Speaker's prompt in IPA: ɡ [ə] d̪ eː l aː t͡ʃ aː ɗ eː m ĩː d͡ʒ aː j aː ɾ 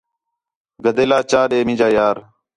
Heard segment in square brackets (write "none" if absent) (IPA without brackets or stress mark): ə